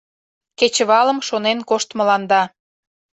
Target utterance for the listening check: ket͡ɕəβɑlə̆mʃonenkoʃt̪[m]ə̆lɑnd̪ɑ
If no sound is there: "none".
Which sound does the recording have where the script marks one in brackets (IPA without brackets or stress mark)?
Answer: m